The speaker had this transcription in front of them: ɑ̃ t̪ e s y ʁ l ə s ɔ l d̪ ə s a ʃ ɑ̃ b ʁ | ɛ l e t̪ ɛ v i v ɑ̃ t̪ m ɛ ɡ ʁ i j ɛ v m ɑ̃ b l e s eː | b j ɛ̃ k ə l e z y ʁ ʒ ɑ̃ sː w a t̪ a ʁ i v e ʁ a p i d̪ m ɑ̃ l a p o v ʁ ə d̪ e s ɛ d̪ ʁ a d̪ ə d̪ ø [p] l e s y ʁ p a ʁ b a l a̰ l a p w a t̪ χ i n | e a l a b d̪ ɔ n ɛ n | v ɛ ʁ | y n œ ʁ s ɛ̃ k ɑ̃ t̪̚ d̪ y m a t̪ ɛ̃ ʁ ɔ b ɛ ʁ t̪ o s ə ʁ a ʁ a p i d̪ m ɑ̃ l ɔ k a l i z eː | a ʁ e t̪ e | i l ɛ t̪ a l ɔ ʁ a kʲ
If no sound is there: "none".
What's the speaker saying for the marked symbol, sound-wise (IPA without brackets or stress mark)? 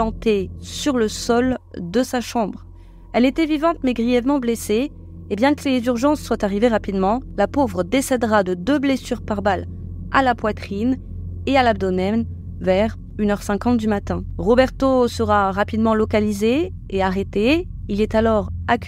b